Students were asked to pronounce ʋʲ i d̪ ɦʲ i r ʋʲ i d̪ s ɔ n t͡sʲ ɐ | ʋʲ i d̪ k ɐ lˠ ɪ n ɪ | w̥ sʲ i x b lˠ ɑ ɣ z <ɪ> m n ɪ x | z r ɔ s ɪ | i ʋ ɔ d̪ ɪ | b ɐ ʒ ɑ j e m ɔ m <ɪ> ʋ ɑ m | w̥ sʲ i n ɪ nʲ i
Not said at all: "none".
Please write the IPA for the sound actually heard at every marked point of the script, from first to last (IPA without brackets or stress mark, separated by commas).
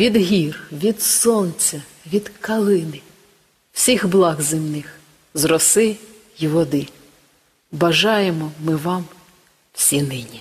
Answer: ɪ, ɪ